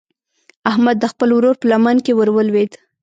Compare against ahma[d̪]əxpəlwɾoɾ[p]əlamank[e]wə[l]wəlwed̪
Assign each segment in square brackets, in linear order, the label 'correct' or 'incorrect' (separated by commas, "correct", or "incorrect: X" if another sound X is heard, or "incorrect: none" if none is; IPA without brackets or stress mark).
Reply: incorrect: d̪ː, correct, correct, incorrect: ɾ